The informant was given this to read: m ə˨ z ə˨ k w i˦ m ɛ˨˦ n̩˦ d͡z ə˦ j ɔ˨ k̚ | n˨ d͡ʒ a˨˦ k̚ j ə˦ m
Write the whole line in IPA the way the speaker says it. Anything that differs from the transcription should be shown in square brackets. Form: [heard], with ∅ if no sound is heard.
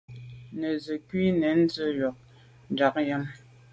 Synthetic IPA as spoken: [n] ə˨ z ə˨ k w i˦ [n] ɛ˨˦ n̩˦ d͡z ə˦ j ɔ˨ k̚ | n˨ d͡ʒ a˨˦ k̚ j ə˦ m

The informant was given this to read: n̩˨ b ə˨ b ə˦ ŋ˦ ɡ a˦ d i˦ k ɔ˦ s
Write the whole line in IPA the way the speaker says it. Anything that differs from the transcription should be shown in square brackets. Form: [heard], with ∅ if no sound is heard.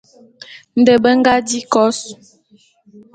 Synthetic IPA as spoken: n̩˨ [d] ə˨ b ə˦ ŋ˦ ɡ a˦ d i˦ k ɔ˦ s

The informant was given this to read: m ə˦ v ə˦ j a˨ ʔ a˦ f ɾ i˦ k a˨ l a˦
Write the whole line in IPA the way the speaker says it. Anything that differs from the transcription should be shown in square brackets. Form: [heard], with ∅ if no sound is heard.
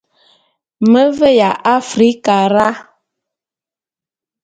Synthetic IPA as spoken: m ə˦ v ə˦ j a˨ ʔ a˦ f ɾ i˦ k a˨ [ɾ] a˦

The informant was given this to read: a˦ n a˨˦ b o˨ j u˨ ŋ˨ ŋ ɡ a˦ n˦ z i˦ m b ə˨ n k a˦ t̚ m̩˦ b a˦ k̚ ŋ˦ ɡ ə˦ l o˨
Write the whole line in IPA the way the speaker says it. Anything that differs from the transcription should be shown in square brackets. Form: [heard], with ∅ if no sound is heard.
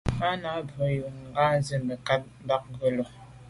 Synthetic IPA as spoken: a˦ n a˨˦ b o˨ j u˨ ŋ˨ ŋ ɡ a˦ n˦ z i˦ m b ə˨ [∅] k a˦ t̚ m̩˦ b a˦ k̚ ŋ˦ ɡ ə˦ l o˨

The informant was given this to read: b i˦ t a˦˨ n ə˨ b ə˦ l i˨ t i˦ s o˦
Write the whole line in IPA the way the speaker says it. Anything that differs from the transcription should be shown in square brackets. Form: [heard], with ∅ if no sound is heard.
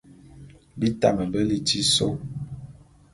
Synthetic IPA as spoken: b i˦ t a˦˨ [m] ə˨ b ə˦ l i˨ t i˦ s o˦

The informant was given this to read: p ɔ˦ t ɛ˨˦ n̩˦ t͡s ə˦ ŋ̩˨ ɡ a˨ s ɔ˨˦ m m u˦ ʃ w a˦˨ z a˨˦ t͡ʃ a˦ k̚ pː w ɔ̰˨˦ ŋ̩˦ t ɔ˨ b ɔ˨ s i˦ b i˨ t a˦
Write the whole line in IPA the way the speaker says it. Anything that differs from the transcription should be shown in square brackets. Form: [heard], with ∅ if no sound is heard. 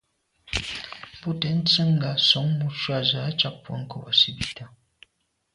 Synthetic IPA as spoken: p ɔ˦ t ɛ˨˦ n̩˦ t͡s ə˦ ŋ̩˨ ɡ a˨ s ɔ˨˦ [ŋ] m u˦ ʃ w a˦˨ z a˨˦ t͡ʃ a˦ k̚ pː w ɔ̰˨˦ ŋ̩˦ [k] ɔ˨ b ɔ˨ s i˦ b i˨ t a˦

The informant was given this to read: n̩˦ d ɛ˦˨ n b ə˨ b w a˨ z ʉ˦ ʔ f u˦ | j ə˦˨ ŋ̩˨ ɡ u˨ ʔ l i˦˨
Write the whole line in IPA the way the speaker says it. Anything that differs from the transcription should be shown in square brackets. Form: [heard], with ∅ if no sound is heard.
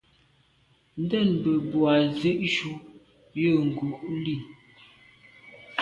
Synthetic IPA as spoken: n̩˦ d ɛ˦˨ n b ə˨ b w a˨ z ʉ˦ ʔ [ʃ] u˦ | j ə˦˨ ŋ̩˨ ɡ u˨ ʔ l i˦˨

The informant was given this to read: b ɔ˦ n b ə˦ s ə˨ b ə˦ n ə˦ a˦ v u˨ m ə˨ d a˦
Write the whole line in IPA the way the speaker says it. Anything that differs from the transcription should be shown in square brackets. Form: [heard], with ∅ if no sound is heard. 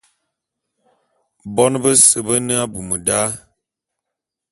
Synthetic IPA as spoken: b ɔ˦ n b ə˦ s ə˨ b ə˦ n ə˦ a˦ [b] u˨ m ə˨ d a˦

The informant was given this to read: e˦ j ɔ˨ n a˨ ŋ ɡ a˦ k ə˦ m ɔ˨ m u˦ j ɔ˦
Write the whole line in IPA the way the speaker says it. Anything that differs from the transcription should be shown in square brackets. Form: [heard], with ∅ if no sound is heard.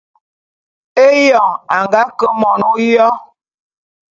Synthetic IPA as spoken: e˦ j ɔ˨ [ŋ] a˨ ŋ ɡ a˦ k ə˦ m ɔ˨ [n] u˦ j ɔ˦

